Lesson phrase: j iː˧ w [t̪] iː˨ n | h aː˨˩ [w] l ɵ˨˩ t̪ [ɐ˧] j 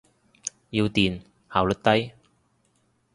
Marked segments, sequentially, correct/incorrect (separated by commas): correct, correct, incorrect